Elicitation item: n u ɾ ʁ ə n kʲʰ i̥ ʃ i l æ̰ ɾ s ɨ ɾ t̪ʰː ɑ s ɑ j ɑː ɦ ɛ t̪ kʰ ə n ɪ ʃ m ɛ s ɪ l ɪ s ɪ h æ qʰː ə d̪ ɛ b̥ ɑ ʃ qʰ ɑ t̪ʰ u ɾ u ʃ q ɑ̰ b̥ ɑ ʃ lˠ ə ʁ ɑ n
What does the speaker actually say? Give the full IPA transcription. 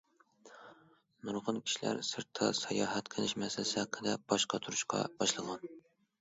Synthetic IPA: n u ɾ ʁ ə n kʲʰ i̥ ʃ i l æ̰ ɾ s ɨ ɾ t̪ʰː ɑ s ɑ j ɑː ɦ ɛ t̪ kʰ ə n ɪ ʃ m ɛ s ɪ l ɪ s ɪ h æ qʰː ə d̪ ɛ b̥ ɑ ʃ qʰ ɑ t̪ʰ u ɾ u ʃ q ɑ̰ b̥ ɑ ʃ lˠ ə ʁ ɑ n